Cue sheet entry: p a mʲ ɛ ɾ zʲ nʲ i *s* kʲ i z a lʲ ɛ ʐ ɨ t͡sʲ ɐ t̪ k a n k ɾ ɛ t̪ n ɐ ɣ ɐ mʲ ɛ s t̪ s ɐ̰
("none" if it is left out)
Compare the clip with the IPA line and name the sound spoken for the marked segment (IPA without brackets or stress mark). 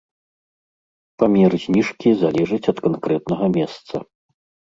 ʂ